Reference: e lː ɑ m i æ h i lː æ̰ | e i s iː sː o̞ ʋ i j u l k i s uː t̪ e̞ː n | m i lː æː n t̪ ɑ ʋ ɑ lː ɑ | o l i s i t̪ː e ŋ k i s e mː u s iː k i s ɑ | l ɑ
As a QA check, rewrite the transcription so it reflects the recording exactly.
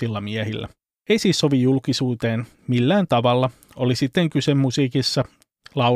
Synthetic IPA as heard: i lː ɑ m i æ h i lː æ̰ | e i s iː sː o̞ ʋ i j u l k i s uː t̪ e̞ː n | m i lː æː n t̪ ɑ ʋ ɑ lː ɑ | o l i s i t̪ː e ŋ k y s e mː u s iː k i sː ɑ | l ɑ